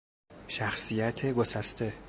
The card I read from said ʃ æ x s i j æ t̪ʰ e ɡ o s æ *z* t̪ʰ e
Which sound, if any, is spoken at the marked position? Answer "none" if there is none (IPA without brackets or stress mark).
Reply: s